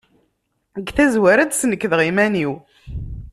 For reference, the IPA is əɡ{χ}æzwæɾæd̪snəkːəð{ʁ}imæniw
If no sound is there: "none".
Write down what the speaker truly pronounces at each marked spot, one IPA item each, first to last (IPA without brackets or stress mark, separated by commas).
θ, ʁ